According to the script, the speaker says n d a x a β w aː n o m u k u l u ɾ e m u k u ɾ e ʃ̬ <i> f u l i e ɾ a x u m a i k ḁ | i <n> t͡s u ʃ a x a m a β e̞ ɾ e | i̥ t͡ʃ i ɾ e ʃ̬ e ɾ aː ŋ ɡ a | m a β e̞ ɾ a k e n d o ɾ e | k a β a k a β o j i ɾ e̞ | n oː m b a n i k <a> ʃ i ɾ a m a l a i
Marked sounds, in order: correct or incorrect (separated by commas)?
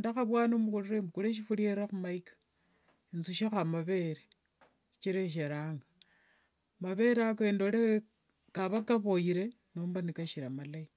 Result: correct, correct, correct